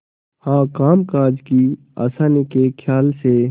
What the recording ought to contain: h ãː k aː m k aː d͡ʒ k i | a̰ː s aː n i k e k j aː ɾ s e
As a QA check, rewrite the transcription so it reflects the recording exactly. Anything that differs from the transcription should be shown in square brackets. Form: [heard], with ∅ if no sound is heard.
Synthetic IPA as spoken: h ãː k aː m k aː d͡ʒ k i | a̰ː s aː n i k e [kʰ] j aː [l] s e